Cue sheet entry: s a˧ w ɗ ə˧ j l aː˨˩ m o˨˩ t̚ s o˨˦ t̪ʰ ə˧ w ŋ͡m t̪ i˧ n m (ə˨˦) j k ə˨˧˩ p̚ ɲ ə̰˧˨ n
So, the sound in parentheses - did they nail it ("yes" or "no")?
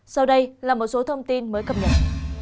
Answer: no